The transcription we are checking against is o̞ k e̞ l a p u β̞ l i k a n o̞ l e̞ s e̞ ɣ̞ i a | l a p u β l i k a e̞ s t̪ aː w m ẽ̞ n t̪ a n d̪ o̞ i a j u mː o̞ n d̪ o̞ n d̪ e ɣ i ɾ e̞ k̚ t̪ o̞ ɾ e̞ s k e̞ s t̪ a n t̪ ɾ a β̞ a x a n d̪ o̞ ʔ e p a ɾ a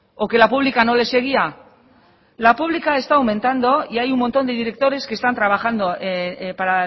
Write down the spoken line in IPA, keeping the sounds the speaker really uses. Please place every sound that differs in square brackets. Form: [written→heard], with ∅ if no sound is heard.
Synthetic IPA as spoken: o̞ k e̞ l a p u β̞ l i k a n o̞ l e̞ s e̞ ɣ̞ i a | l a p u β l i k a e̞ s t̪ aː w m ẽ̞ n t̪ a n d̪ o̞ i a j u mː o̞ n [d̪→t̪] o̞ n d̪ e [ɣ→ð] i ɾ e̞ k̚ t̪ o̞ ɾ e̞ s k e̞ s t̪ a n t̪ ɾ a β̞ a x a n d̪ o̞ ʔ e p a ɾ a